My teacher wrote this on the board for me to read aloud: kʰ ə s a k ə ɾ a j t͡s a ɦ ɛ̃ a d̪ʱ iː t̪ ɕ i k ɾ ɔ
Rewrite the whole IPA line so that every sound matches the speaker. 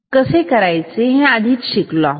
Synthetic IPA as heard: k ə s e k ə ɾ a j t͡s e ɦ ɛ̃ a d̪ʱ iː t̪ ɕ i k l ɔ